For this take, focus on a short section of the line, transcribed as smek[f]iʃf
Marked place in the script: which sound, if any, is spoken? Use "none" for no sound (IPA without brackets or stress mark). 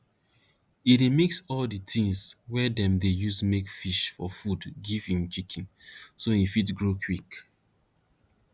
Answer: f